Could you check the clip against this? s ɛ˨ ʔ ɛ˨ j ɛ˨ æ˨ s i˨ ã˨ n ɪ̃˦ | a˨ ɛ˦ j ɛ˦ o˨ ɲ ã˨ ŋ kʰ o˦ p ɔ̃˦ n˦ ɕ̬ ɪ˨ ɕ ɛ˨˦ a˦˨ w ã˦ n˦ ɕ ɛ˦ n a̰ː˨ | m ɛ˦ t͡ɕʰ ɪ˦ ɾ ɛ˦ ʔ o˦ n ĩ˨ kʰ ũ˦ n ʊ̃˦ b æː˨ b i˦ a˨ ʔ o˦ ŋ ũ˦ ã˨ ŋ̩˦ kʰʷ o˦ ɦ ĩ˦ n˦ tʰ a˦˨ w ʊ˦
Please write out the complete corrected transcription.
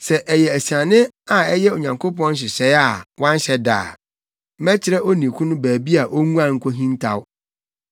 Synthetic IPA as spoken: s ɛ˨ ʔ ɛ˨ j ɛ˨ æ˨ s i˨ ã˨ n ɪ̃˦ | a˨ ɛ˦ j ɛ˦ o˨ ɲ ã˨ ŋ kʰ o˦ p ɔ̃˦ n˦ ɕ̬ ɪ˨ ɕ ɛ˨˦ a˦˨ w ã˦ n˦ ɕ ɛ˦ d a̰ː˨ | m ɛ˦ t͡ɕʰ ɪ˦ ɾ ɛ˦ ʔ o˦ n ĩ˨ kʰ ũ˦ n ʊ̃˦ b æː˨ b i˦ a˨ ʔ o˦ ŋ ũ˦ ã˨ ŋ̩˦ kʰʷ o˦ ɦ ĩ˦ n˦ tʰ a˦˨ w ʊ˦